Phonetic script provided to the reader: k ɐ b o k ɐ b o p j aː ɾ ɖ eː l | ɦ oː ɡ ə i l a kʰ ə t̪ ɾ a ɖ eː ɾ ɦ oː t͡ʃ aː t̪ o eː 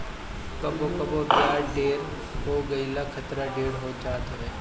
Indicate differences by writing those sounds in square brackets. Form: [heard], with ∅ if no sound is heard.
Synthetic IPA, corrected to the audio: k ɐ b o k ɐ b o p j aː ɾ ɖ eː [ɾ] | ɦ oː ɡ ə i l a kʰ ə t̪ ɾ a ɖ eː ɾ ɦ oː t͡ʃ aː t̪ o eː